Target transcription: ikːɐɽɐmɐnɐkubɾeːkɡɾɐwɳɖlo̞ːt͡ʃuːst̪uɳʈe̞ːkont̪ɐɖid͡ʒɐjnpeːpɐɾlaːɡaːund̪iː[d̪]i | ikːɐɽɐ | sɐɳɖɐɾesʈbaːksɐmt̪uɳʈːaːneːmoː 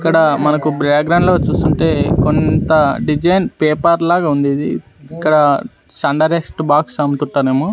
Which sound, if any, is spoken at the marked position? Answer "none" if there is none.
d̪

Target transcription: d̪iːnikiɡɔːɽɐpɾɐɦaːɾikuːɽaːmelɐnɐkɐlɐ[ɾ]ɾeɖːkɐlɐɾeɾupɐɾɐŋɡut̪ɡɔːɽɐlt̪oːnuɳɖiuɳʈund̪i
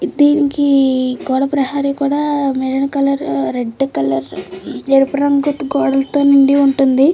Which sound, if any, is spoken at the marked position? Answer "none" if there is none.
ɾ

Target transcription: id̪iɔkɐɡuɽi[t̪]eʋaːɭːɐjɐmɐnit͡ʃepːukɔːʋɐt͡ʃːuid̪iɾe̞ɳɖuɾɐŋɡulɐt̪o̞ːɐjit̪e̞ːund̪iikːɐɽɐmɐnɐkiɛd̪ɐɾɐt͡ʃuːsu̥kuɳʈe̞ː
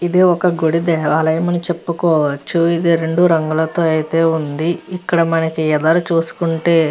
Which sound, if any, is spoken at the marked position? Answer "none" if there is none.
d̪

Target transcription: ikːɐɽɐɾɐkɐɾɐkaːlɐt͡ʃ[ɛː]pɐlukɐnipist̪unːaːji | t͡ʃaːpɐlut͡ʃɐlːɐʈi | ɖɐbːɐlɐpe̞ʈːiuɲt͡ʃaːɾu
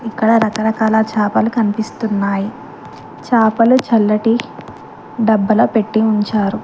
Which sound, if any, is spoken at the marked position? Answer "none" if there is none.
aː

